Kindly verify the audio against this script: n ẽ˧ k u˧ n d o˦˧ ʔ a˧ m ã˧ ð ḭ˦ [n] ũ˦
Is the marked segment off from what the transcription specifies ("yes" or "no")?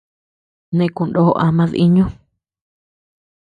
yes